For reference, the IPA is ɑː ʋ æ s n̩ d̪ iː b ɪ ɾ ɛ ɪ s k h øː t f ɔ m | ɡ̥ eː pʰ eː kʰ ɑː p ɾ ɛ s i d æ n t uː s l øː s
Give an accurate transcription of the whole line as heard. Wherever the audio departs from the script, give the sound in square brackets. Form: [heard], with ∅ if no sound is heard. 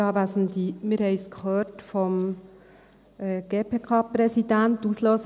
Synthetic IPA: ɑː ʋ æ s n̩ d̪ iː [m] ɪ ɾ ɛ ɪ s k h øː t f ɔ m | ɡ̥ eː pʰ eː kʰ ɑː p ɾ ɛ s i d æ n t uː s l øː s